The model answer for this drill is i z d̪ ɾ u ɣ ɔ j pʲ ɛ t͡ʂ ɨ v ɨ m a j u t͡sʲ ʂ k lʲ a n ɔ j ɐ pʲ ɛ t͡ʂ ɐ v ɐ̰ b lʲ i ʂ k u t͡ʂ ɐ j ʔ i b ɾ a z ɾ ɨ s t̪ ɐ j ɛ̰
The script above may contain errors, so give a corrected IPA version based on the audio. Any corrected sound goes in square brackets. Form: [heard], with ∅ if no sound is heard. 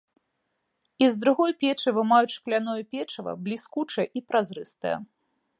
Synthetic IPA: i z d̪ ɾ u ɣ ɔ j pʲ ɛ t͡ʂ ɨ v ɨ m a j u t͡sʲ ʂ k lʲ a n ɔ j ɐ pʲ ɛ t͡ʂ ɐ v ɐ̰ b lʲ i [s] k u t͡ʂ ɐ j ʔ i [p] ɾ a z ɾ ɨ s t̪ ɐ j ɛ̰